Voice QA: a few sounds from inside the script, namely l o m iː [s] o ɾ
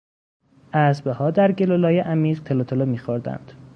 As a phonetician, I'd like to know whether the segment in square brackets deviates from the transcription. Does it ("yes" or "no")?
yes